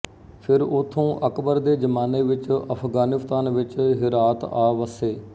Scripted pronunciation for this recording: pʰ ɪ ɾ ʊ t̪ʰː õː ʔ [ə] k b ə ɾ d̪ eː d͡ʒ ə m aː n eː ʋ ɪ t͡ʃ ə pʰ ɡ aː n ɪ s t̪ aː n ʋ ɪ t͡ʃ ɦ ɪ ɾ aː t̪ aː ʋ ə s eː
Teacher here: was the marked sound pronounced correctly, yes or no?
yes